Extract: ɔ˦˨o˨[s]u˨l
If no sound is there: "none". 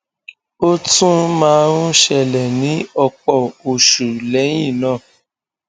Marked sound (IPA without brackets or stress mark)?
ʃ